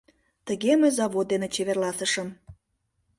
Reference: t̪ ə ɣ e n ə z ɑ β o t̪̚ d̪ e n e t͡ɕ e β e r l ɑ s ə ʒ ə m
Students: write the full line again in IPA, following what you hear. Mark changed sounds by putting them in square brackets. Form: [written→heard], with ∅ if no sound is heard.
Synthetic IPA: t̪ ə ɣ e [n→m] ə z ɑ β o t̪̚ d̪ e n e t͡ɕ e β e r l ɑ s ə [ʒ→ʃ] ə m